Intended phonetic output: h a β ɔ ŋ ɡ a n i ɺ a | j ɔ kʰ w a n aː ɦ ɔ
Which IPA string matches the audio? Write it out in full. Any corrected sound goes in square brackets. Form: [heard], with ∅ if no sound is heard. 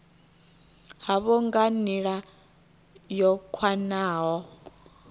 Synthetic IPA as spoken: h a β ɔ ŋ ɡ a n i ɺ a | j ɔ kʰ w a n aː ɦ ɔ